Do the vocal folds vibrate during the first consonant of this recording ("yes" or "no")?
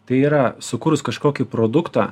no